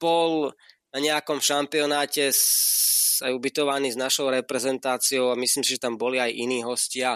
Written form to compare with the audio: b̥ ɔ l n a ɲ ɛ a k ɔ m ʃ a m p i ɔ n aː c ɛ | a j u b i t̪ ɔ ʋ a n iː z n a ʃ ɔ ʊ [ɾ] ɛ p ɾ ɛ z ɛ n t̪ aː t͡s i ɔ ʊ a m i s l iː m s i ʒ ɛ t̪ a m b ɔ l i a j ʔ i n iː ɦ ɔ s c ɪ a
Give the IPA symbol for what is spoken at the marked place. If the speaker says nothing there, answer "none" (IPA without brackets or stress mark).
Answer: ɾ